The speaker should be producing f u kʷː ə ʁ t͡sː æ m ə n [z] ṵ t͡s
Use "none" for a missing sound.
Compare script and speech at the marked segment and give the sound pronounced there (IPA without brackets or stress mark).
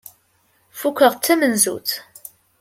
z